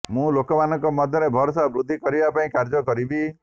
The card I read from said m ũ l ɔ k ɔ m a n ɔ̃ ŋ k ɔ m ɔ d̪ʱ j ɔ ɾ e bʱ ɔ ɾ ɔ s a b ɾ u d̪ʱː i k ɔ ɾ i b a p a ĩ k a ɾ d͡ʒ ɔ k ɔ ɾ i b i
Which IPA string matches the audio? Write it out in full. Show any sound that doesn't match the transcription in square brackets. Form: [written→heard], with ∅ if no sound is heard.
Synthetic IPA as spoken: m ũ l [ɔ→o] k ɔ m a n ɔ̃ ŋ k ɔ m ɔ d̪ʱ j ɔ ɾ e bʱ ɔ ɾ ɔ s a b ɾ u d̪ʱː i k ɔ ɾ i b a p a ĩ k a ɾ d͡ʒ ɔ k ɔ ɾ i b i